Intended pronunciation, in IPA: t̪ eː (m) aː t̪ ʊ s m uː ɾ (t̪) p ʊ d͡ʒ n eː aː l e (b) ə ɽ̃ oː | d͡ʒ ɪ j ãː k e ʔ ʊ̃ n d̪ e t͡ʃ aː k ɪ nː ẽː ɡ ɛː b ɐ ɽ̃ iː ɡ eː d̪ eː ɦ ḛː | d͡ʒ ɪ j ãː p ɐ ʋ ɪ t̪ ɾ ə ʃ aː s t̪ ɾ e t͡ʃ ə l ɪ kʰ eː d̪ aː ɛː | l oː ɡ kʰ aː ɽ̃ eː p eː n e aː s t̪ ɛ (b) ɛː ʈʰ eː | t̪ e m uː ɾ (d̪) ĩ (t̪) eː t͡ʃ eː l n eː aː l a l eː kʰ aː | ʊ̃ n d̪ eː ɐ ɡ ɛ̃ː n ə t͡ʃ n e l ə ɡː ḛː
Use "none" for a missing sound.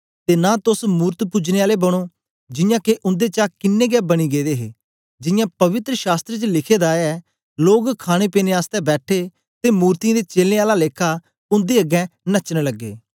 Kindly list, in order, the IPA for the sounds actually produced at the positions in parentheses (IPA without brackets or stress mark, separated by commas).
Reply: n, t̪, b, b, t̪, d̪